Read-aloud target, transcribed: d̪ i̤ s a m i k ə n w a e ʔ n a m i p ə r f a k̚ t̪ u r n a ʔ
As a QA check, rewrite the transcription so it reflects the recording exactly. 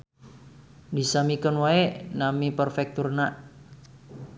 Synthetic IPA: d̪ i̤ s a m i k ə n w a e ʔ n a m i p ə r f ɛ k̚ t̪ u r n a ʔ